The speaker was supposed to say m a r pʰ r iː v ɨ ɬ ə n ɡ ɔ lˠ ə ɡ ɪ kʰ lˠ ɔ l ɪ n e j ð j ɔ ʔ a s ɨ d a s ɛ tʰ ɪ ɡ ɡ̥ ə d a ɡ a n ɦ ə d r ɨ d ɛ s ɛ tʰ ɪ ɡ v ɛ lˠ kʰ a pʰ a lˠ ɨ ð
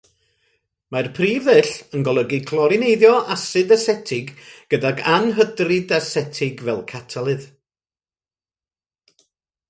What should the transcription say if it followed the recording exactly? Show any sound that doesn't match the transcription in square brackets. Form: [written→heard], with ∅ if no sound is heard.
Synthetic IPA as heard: m a r pʰ r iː v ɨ ɬ ə n ɡ ɔ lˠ ə ɡ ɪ kʰ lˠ ɔ [l→ɾ] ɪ n e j ð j ɔ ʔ a s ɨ d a s ɛ tʰ ɪ ɡ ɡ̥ ə d a ɡ a n ɦ ə d r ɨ d [ɛ→a] s ɛ tʰ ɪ ɡ v ɛ lˠ kʰ a [pʰ→tʰ] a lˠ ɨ ð